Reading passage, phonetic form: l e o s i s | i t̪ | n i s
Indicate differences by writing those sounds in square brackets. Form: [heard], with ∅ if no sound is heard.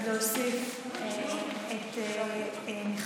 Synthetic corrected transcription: l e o s i [f] | [e] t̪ | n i [χ]